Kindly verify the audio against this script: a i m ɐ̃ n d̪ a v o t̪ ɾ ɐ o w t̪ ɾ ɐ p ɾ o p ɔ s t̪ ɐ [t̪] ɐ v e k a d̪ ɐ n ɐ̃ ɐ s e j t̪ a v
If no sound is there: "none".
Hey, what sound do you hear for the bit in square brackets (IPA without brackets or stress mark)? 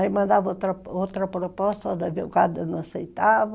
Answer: d̪